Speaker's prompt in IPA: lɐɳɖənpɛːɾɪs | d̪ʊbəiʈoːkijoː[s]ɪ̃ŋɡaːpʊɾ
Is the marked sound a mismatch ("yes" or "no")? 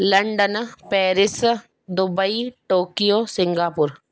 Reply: no